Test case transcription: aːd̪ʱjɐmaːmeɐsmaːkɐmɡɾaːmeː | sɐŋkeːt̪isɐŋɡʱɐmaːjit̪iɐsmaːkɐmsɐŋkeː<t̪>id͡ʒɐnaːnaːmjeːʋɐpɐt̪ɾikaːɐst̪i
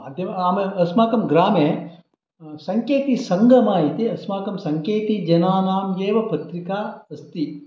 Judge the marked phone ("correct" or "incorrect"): correct